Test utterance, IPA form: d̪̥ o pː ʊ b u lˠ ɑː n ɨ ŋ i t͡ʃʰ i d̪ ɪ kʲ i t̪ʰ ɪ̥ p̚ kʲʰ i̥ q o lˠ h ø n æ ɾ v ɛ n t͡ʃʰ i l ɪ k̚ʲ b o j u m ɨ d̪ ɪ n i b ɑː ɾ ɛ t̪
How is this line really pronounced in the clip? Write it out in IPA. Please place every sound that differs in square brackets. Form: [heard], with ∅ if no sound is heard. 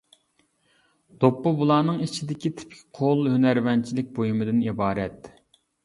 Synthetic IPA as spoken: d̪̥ o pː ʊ b u lˠ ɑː n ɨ ŋ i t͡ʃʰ i d̪ ɪ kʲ i t̪ʰ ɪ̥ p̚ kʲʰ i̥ [qʰ] o lˠ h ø n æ ɾ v ɛ n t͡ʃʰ i l ɪ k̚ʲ b o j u m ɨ d̪ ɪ n i b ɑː ɾ ɛ t̪